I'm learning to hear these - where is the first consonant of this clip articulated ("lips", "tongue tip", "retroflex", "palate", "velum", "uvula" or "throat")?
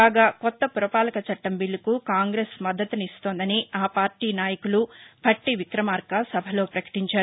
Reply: velum